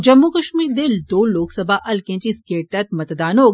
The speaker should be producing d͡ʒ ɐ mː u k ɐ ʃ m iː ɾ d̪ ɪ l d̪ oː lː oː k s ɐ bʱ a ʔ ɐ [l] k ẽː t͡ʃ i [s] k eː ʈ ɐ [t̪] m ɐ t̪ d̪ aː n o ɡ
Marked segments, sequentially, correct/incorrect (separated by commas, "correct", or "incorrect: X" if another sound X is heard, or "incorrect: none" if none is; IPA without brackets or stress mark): correct, correct, correct